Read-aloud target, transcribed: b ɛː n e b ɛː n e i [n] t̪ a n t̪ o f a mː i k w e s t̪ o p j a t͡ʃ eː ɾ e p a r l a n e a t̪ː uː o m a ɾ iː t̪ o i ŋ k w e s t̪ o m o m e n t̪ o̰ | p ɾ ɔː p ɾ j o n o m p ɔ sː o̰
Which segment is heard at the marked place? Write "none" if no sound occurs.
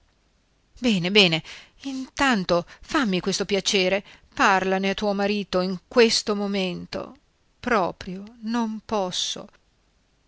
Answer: n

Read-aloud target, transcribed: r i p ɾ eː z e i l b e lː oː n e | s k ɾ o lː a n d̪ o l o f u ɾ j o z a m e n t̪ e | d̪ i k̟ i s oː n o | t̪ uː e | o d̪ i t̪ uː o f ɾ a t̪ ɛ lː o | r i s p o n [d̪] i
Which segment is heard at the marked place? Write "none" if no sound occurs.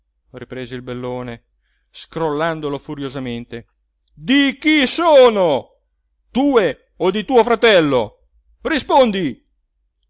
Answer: d̪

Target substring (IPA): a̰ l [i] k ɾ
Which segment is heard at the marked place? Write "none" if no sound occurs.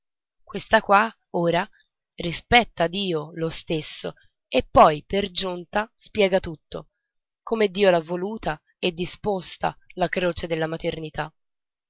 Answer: a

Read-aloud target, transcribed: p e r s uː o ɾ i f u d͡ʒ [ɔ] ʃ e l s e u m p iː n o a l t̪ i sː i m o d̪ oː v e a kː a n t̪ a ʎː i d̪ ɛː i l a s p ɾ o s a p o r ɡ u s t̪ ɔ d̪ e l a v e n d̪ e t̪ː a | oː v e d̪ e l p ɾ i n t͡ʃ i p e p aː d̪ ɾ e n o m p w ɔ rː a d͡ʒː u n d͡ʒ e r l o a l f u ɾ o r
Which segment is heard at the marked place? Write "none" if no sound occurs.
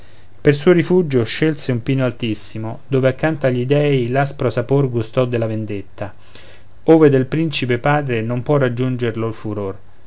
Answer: o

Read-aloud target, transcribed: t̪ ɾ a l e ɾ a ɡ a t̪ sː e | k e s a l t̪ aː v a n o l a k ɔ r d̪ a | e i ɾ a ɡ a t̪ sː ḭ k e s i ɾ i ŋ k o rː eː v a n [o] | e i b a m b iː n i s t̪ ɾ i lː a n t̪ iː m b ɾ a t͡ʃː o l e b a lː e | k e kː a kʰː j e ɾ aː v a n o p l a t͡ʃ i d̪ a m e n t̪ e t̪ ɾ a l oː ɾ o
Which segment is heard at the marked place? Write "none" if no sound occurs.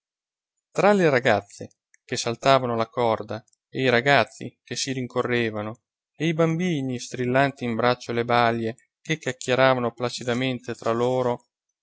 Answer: o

